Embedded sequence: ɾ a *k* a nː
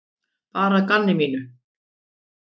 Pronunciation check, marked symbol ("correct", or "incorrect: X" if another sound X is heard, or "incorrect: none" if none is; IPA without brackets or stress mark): correct